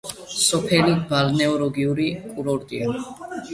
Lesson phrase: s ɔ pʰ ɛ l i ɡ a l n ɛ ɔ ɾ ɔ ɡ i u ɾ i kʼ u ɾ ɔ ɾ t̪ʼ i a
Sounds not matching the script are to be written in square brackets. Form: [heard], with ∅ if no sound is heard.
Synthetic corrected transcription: s ɔ pʰ ɛ l i [b] a l n ɛ ɔ ɾ ɔ ɡ i u ɾ i kʼ u ɾ ɔ ɾ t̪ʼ i a